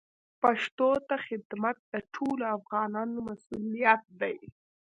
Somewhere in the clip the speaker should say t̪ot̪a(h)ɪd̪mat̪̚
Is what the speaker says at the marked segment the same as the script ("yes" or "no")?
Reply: no